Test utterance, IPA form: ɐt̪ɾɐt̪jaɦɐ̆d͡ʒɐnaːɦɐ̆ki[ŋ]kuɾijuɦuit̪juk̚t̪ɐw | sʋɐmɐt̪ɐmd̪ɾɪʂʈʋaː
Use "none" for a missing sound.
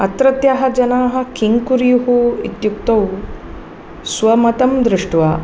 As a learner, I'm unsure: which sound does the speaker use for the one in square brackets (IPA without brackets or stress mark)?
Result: ŋ